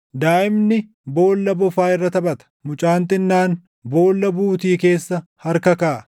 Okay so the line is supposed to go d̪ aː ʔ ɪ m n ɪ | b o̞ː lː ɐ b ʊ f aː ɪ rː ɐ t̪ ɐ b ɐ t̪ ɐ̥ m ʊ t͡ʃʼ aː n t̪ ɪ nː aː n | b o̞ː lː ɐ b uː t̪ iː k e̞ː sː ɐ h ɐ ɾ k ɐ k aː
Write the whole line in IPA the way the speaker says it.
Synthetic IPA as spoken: d̪ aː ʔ ɪ m n ɪ | b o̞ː lː ɐ b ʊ f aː ɪ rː ɐ t̪ ɐ b ɐ t̪ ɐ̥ m ʊ t͡ʃʼ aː n t̪ ɪ nː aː n | b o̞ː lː ɐ b uː t̪ iː k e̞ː sː ɐ h ɐ ɾ k ɐ k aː